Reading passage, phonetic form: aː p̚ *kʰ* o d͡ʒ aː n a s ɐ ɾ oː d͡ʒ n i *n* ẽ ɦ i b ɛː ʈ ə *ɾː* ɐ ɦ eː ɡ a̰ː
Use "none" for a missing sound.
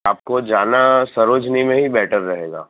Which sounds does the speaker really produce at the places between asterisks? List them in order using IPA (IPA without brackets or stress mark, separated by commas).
k, m, ɾː